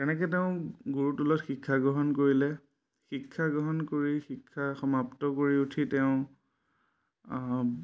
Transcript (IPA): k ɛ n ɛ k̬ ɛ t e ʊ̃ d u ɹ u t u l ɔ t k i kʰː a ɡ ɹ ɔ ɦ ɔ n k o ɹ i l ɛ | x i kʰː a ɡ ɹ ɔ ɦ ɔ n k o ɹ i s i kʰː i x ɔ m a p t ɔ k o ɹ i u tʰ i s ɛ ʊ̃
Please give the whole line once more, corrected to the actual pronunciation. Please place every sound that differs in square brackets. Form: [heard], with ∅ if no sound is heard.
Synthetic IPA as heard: k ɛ n ɛ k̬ ɛ t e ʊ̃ [ɡ] u ɹ u t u l ɔ t [x] i kʰː a ɡ ɹ ɔ ɦ ɔ n k o ɹ i l ɛ | x i kʰː a ɡ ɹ ɔ ɦ ɔ n k o ɹ i [x] i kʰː [a] x ɔ m a p t ɔ k o ɹ i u tʰ i [t] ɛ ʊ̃

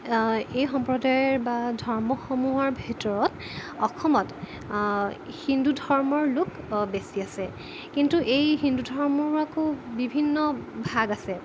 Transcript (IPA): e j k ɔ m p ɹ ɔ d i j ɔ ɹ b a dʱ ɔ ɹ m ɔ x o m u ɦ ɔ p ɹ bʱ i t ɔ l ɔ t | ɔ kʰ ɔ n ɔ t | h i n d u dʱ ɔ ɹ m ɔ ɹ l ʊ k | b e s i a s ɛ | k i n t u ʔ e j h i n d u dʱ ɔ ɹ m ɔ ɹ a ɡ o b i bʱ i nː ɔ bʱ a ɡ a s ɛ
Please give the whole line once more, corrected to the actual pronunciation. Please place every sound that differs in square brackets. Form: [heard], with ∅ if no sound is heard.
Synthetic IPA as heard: e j [x] ɔ m p ɹ ɔ d [a] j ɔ ɹ b a dʱ ɔ ɹ m ɔ x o m u ɦ ɔ [∅] ɹ bʱ i t ɔ [ɹ] ɔ t | ɔ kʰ ɔ [m] ɔ t | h i n d u dʱ ɔ ɹ m ɔ ɹ l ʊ k | b e s i a s ɛ | k i n t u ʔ e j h i n d u dʱ ɔ ɹ m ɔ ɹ a [k] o b i bʱ i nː ɔ bʱ a ɡ a s ɛ

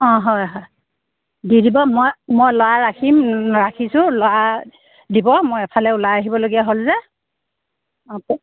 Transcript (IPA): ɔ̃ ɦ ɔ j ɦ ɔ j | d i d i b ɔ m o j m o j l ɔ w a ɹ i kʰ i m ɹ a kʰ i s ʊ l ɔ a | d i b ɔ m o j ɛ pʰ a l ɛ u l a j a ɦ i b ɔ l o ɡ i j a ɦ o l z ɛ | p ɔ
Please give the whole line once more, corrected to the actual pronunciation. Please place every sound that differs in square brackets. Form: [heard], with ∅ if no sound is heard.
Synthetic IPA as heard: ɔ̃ ɦ ɔ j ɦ ɔ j | d i d i b ɔ m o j m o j l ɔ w a ɹ [a] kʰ i m ɹ a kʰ i s ʊ l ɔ a | d i b ɔ m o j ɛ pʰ a l ɛ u l a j a ɦ i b ɔ l o ɡ i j a ɦ o l z ɛ | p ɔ

